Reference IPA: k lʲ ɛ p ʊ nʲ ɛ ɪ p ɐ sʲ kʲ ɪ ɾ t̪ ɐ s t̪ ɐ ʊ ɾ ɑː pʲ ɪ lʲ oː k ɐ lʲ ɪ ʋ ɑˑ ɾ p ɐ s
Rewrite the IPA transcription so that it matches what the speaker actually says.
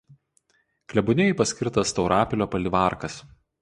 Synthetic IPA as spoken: k lʲ ɛ b ʊ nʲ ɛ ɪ p ɐ sʲ kʲ ɪ ɾ t̪ ɐ s t̪ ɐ ʊ ɾ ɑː pʲ ɪ lʲ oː p ɐ lʲ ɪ ʋ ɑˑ ɾ k ɐ s